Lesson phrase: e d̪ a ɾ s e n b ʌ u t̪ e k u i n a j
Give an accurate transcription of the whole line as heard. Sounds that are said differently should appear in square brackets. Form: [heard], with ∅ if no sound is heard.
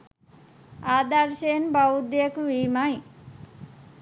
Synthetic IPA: [a] d̪ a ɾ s e n b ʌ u [d̪] e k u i [m] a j